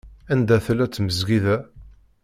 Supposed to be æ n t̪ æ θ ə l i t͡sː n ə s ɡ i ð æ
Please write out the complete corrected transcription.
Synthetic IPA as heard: æ n d̪ æ θ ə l æ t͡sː m ə z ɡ i ð æ